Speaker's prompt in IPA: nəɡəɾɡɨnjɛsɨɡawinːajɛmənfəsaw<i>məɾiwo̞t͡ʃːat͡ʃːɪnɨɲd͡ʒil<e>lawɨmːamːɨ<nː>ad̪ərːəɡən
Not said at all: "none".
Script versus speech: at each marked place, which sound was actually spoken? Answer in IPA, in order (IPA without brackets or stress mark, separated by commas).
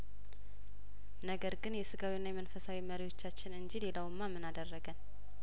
i, e, n